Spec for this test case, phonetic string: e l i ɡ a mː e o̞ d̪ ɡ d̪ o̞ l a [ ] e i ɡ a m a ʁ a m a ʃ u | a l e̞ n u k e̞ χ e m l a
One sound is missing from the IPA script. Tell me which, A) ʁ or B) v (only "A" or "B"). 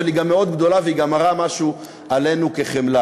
B